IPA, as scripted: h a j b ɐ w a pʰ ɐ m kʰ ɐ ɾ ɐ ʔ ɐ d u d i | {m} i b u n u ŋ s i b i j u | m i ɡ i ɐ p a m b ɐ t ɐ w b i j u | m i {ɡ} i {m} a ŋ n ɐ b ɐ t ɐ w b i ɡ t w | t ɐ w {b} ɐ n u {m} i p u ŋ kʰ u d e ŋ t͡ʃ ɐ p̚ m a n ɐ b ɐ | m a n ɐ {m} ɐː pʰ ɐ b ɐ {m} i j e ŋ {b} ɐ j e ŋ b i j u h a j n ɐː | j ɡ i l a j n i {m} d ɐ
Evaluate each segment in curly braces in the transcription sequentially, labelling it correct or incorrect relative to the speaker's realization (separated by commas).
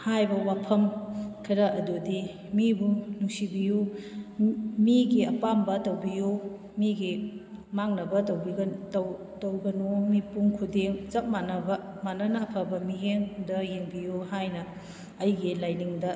correct, correct, correct, incorrect, correct, incorrect, correct, incorrect, incorrect